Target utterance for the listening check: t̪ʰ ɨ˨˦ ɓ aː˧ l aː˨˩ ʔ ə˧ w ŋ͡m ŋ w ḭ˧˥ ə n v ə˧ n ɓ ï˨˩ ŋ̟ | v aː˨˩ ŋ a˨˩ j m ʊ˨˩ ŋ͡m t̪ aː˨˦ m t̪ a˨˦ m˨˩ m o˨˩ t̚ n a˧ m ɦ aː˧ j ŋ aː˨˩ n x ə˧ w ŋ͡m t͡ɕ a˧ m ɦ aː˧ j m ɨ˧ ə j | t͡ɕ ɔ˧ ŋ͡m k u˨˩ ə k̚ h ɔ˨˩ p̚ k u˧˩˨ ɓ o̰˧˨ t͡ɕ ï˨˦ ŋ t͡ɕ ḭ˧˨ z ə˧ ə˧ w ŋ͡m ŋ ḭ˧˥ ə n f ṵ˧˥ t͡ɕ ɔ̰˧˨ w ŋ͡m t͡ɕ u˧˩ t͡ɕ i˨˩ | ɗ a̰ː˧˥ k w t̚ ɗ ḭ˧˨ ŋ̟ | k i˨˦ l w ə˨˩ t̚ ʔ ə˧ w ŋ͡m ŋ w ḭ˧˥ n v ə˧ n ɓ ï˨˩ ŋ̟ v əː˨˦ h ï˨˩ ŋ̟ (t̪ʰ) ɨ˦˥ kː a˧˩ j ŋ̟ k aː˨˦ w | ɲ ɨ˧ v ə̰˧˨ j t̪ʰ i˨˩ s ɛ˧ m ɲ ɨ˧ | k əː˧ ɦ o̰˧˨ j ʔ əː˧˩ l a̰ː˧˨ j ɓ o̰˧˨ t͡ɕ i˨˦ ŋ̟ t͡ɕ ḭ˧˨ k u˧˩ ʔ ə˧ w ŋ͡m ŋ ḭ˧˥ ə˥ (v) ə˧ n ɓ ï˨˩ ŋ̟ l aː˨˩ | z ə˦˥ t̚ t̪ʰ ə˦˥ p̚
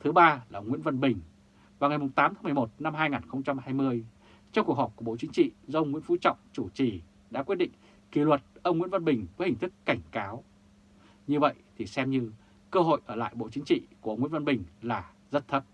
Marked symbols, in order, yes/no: no, yes

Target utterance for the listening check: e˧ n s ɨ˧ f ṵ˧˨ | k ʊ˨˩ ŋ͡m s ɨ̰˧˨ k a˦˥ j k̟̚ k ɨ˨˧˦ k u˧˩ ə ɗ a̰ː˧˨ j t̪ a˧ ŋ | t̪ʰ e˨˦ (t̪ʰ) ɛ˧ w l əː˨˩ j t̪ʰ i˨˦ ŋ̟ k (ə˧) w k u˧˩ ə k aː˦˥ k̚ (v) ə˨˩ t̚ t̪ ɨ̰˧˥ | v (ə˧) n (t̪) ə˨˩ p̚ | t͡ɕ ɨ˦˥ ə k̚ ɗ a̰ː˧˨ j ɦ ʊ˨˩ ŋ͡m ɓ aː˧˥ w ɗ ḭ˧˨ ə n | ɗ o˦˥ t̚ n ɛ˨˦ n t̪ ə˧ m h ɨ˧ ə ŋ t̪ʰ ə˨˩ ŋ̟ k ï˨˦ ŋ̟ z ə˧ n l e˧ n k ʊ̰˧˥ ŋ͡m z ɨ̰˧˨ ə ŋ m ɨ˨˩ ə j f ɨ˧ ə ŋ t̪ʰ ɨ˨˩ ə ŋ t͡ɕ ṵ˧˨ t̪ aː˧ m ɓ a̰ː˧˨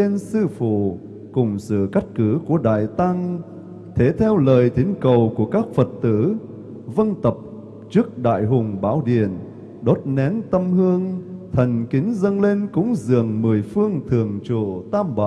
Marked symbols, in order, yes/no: yes, no, no, yes, yes

